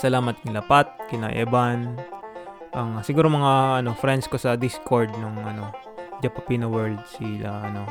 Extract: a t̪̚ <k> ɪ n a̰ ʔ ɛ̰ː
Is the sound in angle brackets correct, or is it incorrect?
correct